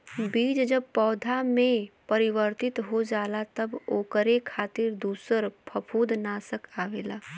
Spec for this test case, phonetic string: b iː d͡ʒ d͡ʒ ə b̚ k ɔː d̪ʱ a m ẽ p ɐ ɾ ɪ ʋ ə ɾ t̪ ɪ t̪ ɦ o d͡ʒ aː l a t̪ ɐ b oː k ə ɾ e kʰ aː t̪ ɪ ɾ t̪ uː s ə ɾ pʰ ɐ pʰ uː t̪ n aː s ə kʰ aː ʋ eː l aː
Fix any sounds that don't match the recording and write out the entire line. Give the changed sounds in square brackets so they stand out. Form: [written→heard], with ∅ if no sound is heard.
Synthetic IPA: b iː d͡ʒ d͡ʒ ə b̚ [k→p] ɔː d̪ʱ a m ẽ p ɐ ɾ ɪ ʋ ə ɾ t̪ ɪ t̪ ɦ o d͡ʒ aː l a t̪ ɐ b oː k ə ɾ e kʰ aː t̪ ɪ ɾ [t̪→d̪] uː s ə ɾ pʰ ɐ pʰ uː [t̪→d̪] n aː s ə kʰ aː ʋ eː l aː